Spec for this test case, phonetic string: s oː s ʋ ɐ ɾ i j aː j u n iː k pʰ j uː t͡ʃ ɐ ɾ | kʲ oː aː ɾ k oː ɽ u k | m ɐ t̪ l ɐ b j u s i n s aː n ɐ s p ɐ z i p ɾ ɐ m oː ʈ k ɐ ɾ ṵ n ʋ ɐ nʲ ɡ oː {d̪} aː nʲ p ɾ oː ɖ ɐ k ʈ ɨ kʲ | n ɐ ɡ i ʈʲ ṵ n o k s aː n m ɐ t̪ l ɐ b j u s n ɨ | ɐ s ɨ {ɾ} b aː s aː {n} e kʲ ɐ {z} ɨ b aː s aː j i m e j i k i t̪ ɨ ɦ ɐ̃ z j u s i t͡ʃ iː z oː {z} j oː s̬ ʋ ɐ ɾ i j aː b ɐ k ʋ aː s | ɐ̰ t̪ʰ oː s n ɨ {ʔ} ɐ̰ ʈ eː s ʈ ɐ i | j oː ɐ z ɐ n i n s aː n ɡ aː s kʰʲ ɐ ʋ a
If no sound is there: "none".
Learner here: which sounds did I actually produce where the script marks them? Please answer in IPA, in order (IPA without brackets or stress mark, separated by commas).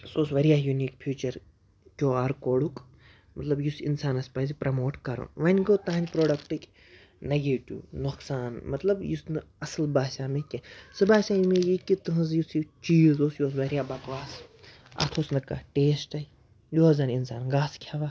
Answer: t̪, l, m, s, s, k